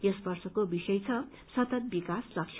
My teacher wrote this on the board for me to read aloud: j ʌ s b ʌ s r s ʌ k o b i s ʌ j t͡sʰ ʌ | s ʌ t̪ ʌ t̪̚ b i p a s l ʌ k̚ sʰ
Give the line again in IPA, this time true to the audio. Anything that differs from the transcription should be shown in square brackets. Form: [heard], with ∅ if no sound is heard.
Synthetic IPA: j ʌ s b ʌ [∅] r s ʌ k o b i s ʌ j t͡sʰ ʌ | s ʌ t̪ ʌ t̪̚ b i [k] a s l ʌ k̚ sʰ